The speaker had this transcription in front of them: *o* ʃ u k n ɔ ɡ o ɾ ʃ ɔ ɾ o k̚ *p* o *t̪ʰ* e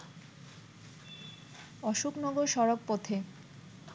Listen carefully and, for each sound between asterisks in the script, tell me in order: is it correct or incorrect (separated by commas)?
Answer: incorrect, correct, correct